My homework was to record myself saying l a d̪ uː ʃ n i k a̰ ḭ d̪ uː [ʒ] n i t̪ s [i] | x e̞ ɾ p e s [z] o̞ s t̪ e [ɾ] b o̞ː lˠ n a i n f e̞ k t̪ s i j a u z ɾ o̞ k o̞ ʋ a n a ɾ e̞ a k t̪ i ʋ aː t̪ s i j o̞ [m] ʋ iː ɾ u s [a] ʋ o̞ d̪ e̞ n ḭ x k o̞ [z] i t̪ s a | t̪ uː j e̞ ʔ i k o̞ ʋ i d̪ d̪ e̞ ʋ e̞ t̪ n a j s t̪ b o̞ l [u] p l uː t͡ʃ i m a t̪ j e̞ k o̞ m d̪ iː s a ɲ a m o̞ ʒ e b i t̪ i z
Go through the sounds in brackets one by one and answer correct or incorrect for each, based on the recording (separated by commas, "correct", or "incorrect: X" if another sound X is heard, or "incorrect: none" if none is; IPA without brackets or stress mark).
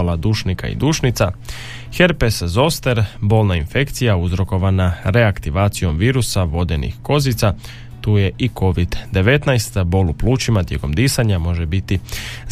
incorrect: ʃ, incorrect: a, correct, correct, correct, correct, correct, correct